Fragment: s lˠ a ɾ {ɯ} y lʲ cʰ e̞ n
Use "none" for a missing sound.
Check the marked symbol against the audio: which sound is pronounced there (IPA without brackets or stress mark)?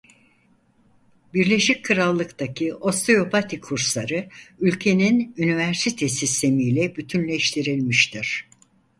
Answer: ɯ